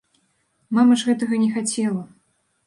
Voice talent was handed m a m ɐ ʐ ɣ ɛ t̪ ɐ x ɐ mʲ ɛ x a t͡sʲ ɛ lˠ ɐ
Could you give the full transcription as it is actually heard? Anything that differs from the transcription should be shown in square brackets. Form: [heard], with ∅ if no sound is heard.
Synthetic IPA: m a m ɐ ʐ ɣ ɛ t̪ ɐ [ɣ] ɐ [nʲ] ɛ x a t͡sʲ ɛ lˠ ɐ